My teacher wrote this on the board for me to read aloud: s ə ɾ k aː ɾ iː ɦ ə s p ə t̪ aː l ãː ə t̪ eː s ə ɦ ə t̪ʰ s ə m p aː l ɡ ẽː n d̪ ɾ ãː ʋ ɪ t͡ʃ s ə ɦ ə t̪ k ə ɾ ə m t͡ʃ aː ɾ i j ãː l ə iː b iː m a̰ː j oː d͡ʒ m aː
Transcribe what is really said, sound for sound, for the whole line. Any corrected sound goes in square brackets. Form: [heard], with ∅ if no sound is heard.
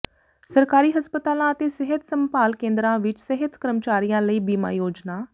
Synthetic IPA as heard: s ə ɾ k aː ɾ iː ɦ ə s p ə t̪ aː l ãː ə t̪ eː s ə ɦ ə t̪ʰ s ə m p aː l [k] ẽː n d̪ ɾ ãː ʋ ɪ t͡ʃ s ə ɦ ə t̪ k ə ɾ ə m t͡ʃ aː ɾ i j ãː l ə iː b iː m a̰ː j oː d͡ʒ [n] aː